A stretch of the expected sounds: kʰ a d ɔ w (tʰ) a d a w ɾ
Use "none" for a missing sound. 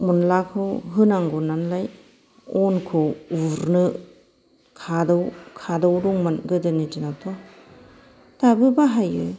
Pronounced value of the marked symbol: kʰ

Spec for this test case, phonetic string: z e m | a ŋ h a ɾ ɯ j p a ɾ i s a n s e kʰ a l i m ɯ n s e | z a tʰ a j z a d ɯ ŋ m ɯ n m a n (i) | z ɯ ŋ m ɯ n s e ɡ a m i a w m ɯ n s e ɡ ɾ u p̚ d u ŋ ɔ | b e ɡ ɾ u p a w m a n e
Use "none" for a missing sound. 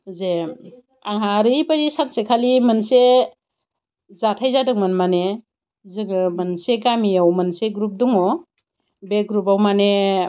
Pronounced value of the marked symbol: e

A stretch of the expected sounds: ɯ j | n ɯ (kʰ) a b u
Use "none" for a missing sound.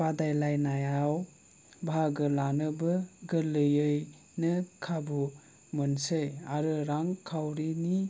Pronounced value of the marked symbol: kʰ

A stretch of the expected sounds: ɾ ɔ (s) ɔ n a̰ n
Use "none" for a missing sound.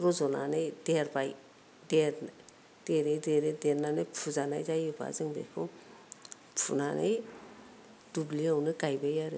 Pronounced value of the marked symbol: z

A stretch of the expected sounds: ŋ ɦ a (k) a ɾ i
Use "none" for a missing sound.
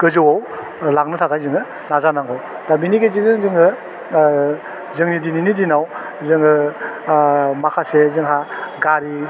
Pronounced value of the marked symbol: ɡ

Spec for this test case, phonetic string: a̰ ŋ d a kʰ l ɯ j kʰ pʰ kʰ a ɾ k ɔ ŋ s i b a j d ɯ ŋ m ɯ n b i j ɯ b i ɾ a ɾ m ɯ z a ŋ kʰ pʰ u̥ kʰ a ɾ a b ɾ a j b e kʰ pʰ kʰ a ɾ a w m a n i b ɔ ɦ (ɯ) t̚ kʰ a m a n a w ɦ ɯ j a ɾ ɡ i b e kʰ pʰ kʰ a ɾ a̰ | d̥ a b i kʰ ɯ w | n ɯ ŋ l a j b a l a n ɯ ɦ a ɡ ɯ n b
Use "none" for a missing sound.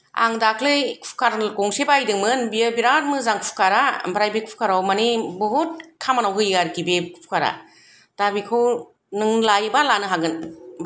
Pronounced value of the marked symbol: u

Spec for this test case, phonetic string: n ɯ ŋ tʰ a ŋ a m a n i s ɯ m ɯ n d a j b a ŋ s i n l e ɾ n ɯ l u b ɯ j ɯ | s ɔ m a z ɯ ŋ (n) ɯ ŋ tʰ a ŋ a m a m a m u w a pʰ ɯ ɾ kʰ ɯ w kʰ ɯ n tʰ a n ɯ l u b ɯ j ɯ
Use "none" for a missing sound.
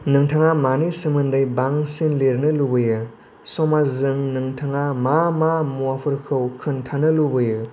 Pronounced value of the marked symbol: n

